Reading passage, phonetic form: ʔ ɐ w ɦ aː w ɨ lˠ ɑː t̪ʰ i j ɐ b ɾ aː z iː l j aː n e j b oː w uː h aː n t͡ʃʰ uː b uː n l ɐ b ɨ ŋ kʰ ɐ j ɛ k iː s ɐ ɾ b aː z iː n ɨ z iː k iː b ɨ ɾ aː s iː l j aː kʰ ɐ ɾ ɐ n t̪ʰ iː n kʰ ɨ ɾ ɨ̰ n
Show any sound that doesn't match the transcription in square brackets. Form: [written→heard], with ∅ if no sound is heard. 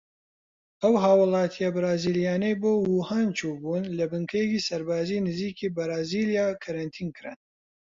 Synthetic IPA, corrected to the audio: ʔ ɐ w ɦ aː w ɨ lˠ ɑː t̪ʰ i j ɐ b ɾ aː z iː l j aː n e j b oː w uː h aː n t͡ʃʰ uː b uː n l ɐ b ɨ ŋ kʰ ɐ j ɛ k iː s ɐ ɾ b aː z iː n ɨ z iː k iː b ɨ ɾ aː [s→z] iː l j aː kʰ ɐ ɾ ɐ n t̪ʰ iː n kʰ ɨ ɾ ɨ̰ n